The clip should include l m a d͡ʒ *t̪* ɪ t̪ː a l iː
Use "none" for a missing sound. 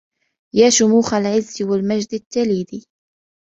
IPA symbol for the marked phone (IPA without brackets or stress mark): d̪